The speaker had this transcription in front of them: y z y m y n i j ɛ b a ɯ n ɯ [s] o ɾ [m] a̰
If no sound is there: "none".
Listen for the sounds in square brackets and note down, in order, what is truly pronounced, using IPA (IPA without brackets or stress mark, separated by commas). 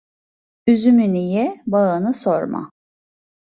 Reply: s, m